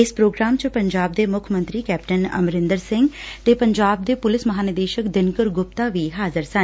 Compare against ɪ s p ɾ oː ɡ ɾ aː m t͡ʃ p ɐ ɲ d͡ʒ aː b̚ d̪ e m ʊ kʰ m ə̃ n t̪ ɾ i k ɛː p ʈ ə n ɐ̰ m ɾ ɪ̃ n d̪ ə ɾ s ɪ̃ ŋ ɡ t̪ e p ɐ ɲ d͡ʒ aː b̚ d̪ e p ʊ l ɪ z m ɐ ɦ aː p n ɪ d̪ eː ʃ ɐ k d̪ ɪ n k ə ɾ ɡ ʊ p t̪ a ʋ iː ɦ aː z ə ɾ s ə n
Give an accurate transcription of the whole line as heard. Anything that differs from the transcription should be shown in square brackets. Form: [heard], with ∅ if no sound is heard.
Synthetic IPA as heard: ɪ s p ɾ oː ɡ ɾ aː m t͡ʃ p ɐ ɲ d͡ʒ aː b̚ d̪ e m ʊ kʰ m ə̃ n t̪ ɾ i k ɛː p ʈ ə n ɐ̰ m ɾ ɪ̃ n d̪ ə ɾ s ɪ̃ ŋ ɡ t̪ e p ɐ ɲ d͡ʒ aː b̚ d̪ e p ʊ l ɪ [s] m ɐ ɦ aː [∅] n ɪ d̪ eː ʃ [ə] k d̪ ɪ n k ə ɾ ɡ ʊ p t̪ a ʋ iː ɦ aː z ə ɾ s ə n

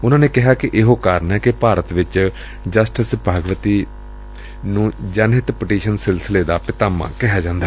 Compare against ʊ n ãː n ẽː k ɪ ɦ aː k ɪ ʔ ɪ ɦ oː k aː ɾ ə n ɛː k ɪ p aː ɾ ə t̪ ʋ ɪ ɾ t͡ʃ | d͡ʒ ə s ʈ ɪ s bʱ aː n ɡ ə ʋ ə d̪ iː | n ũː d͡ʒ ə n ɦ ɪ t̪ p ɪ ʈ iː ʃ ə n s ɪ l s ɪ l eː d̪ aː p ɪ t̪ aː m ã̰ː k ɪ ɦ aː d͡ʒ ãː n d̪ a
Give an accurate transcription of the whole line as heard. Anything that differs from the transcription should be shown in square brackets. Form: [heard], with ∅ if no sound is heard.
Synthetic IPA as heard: ʊ n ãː n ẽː k ɪ ɦ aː k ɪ ʔ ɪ ɦ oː k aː ɾ ə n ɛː k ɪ p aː ɾ ə t̪ ʋ ɪ [∅] t͡ʃ | d͡ʒ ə s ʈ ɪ s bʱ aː [∅] ɡ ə ʋ ə [t̪] iː | n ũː d͡ʒ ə n ɦ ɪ t̪ p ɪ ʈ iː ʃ ə n s ɪ l s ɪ l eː d̪ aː p ɪ t̪ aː m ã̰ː k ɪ ɦ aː d͡ʒ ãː n d̪ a

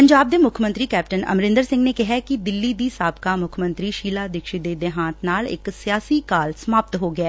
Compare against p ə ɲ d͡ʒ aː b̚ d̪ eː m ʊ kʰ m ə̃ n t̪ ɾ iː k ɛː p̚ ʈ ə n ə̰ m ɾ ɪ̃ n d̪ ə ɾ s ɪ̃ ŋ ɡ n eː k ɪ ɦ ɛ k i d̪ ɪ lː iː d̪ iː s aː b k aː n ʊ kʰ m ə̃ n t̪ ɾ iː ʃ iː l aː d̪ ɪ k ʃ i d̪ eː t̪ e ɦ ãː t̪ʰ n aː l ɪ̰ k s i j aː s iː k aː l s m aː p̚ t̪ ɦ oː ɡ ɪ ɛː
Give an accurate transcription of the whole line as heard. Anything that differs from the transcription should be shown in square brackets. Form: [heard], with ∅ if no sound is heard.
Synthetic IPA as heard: p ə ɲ d͡ʒ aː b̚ d̪ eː m ʊ kʰ m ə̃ n t̪ ɾ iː k ɛː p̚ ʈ ə n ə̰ m ɾ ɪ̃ n d̪ ə ɾ s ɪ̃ ŋ ɡ n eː k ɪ ɦ ɛ k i d̪ ɪ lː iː d̪ iː s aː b k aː [m] ʊ kʰ m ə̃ n t̪ ɾ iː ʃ iː l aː d̪ ɪ k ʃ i d̪ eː [d̪] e ɦ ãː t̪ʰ n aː l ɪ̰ k s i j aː s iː k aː l s m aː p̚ t̪ ɦ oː ɡ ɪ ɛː

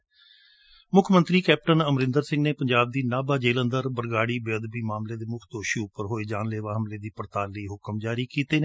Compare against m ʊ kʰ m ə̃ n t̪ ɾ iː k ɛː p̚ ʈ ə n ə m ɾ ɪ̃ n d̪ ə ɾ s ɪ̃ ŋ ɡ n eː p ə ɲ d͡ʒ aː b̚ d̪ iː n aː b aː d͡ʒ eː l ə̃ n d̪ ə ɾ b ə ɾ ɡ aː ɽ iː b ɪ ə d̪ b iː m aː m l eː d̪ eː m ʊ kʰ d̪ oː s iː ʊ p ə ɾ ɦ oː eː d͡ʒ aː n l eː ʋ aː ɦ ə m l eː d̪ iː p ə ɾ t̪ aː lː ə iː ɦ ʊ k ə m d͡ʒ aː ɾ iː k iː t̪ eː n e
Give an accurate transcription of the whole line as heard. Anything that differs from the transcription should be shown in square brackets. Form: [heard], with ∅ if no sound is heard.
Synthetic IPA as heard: m ʊ kʰ m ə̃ n t̪ ɾ iː k ɛː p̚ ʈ ə n ə m ɾ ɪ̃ n d̪ ə ɾ s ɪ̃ ŋ ɡ n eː p ə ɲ d͡ʒ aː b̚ d̪ iː n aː b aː d͡ʒ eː l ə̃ n d̪ ə ɾ b ə ɾ ɡ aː ɽ iː b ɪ ə d̪ b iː m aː m l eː d̪ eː m ʊ kʰ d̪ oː [ʃ] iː ʊ p ə ɾ ɦ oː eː d͡ʒ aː n l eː ʋ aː ɦ ə m l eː d̪ iː p ə ɾ t̪ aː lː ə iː ɦ ʊ k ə m d͡ʒ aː ɾ iː k iː t̪ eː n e

